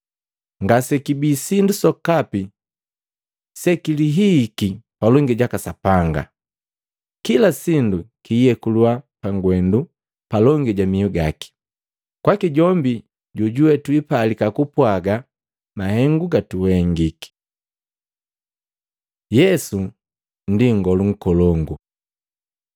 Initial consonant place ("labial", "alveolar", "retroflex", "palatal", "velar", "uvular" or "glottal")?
velar